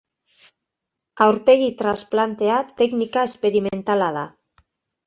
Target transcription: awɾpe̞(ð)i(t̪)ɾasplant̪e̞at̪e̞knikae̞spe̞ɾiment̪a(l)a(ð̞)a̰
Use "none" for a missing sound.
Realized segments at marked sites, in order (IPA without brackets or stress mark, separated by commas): ɣ, t̪, l, ð̞